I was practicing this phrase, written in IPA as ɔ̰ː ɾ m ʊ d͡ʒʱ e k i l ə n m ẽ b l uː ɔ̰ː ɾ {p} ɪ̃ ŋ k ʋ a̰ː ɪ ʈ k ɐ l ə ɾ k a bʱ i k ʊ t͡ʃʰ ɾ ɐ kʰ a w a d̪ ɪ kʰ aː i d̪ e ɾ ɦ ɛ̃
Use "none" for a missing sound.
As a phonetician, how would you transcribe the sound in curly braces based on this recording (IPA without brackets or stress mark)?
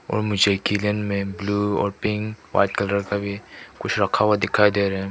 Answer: p